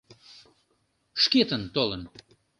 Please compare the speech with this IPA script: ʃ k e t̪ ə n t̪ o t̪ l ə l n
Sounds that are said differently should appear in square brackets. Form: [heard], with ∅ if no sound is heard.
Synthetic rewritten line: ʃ k e t̪ ə n t̪ o [∅] l ə [∅] n